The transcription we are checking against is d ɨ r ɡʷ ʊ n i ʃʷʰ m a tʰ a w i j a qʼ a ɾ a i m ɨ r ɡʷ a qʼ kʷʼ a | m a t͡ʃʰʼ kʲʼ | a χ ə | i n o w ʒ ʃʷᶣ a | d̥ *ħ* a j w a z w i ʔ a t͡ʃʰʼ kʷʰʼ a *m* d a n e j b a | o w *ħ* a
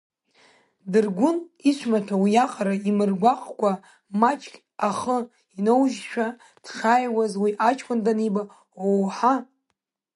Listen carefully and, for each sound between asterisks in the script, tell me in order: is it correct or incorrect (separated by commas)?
incorrect, incorrect, correct